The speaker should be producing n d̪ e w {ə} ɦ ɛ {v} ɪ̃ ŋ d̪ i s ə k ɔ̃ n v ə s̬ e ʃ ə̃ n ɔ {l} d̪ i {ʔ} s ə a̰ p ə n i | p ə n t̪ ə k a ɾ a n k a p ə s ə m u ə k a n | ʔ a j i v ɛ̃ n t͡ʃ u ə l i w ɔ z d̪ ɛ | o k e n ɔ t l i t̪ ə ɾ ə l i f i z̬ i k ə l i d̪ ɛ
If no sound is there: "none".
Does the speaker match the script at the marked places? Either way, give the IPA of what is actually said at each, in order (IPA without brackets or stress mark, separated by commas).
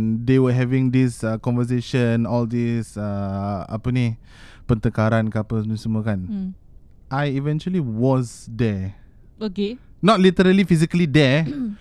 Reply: ə, v, l, none